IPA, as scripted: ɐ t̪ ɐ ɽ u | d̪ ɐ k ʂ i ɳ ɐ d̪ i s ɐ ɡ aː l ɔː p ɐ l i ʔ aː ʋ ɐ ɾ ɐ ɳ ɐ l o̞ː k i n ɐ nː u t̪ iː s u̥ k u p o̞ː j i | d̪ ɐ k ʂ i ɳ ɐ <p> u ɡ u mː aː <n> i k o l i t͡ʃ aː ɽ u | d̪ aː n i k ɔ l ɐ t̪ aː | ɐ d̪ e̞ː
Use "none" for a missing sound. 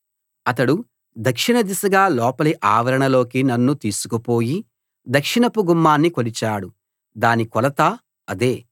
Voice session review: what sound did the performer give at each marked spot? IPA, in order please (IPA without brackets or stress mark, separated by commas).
p, nː